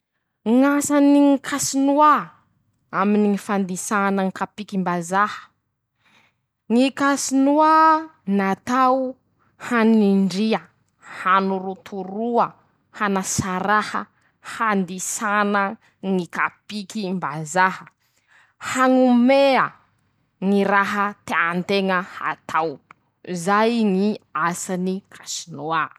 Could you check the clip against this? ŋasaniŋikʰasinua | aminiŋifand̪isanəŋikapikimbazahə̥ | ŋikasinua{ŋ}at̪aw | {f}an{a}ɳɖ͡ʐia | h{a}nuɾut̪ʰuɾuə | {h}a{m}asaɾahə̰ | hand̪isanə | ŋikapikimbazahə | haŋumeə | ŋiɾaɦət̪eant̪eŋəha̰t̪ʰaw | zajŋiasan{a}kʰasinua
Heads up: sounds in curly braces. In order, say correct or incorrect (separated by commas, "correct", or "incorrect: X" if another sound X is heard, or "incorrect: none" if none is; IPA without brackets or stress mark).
incorrect: n, incorrect: h, incorrect: i, correct, correct, incorrect: n, incorrect: i